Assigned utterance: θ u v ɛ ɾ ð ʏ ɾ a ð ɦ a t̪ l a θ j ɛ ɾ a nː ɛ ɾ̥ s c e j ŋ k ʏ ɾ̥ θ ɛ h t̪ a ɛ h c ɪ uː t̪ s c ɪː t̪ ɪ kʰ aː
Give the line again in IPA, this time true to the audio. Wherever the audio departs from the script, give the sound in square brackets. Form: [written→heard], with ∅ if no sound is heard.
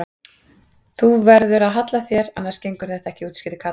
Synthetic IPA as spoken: θ u v ɛ ɾ ð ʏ ɾ a ð ɦ a t̪ l a θ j ɛ ɾ a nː [ɛ→a] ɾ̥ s c e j ŋ k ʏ ɾ̥ θ ɛ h t̪ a ɛ h c ɪ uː t̪ s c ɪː t̪ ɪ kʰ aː